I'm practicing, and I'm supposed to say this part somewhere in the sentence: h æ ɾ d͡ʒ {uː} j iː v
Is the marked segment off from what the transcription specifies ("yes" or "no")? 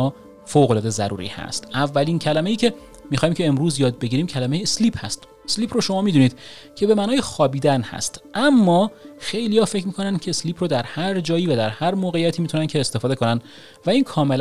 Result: yes